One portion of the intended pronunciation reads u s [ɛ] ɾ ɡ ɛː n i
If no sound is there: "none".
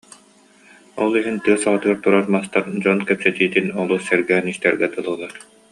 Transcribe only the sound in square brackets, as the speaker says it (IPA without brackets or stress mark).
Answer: ɛ